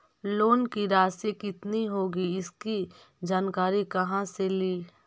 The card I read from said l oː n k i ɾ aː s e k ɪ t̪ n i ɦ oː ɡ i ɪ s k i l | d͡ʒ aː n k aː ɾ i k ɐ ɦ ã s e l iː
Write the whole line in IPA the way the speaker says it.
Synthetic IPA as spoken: l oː n k i ɾ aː s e k ɪ t̪ n i ɦ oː ɡ i ɪ s k i | d͡ʒ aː n k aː ɾ i k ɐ ɦ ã s e l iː